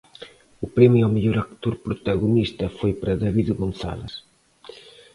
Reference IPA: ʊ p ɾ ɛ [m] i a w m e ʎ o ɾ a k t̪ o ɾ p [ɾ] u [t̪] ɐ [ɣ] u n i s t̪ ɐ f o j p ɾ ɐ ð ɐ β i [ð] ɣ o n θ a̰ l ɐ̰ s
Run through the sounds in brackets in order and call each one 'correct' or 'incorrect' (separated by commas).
correct, correct, correct, correct, correct